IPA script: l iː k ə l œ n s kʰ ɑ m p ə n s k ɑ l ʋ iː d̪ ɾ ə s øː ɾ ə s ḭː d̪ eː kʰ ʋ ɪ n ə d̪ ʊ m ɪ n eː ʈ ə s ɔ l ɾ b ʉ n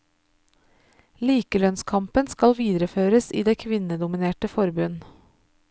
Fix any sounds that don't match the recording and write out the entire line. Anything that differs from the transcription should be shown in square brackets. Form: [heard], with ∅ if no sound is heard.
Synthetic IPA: l iː k ə l œ n s kʰ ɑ m p ə n s k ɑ l ʋ iː d̪ ɾ ə [f] øː ɾ ə s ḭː d̪ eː kʰ ʋ ɪ n ə d̪ ʊ m ɪ n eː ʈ ə [f] ɔ [∅] ɾ b ʉ n